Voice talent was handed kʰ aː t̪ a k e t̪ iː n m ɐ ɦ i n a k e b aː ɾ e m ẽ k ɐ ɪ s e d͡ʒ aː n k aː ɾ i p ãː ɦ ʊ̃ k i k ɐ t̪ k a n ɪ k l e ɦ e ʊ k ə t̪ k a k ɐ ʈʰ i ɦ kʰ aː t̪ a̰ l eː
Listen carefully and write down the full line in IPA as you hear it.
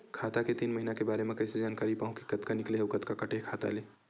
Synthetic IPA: kʰ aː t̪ a k e t̪ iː n m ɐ ɦ i n a k e b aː ɾ e m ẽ k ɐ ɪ s e d͡ʒ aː n k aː ɾ i p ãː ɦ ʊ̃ k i k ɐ t̪ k a n ɪ k l e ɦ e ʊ k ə t̪ k a k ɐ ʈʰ e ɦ kʰ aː t̪ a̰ l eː